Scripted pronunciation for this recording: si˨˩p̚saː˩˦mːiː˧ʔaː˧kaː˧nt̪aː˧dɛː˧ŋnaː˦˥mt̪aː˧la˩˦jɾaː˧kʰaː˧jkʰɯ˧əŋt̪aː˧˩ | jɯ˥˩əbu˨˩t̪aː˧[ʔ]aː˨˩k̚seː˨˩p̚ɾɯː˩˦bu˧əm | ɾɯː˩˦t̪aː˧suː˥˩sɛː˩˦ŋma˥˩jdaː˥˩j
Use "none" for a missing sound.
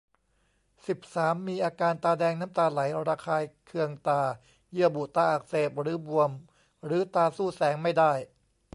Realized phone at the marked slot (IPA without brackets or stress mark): ʔ